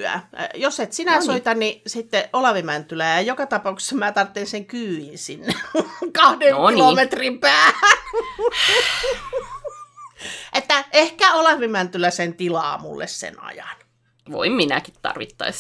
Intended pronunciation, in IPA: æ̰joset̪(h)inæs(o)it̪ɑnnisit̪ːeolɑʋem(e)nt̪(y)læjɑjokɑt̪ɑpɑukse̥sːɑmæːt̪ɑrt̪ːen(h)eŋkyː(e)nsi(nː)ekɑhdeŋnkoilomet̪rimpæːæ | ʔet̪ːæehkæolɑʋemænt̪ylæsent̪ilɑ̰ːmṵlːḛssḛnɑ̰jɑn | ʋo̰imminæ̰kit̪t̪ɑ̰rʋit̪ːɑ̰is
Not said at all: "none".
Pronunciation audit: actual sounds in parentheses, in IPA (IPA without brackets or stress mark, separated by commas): s, o, æ, y, s, i, nː